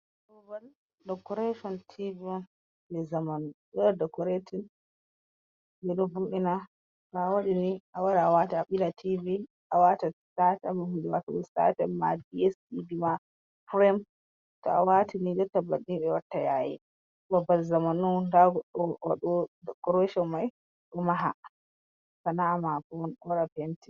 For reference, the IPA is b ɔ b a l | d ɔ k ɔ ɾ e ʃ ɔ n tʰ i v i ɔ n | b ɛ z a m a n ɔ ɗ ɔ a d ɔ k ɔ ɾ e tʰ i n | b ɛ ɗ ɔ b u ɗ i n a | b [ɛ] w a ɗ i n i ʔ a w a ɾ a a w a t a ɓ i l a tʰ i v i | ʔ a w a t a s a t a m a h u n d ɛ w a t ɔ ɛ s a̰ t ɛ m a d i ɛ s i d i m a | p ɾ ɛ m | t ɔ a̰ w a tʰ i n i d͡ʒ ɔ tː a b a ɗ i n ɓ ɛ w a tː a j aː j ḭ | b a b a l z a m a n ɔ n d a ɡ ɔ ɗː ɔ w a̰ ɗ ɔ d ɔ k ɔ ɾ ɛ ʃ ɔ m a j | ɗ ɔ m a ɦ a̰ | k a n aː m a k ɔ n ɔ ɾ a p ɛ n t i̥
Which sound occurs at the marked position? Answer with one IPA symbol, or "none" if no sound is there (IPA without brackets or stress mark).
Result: a